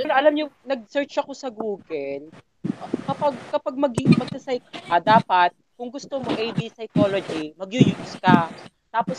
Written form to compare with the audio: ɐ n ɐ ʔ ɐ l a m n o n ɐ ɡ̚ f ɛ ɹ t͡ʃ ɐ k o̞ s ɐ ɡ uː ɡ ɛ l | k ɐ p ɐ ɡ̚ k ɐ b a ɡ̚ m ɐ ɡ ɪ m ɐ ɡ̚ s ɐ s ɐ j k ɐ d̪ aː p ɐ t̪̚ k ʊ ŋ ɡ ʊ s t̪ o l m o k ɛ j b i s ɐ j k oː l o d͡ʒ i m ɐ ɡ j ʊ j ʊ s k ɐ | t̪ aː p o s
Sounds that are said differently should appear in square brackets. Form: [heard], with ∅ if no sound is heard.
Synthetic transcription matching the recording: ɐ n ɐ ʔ ɐ l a m [ɲ] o n ɐ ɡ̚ [s] ɛ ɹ t͡ʃ ɐ k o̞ s ɐ ɡ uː ɡ ɛ l | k ɐ p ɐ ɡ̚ k ɐ [p] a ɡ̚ m ɐ ɡ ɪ m ɐ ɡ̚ s ɐ s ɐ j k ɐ d̪ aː p ɐ t̪̚ k ʊ ŋ ɡ ʊ s t̪ o [∅] m o [ʔ] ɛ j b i s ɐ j k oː l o d͡ʒ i m ɐ ɡ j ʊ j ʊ s k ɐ | t̪ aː p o s